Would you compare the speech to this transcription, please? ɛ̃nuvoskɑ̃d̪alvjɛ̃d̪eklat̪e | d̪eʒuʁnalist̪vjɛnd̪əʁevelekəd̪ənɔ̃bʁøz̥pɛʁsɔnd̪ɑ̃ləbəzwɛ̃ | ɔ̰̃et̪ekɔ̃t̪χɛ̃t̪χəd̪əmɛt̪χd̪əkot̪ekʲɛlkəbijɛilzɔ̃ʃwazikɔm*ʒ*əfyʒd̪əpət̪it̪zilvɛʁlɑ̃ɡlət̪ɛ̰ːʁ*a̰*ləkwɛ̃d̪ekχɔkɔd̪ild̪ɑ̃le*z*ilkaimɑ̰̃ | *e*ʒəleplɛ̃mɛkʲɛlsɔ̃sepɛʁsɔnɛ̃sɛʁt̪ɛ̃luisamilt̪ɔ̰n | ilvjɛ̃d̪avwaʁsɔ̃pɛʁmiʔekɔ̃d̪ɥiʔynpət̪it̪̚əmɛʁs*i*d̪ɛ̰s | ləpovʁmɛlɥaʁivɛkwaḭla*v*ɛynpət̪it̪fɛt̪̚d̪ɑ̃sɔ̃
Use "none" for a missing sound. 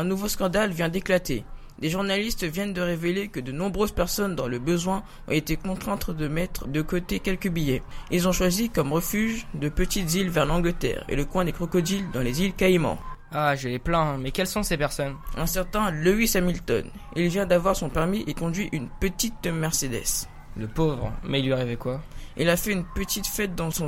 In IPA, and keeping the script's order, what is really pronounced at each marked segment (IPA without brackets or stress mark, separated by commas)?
ʁ, ḛ, z, a, e, f